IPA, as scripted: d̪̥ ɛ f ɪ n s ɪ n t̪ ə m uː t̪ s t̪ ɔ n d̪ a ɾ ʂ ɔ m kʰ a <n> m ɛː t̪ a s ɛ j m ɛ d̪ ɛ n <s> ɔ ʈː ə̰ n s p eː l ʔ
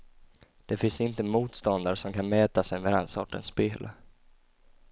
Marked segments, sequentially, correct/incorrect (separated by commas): correct, correct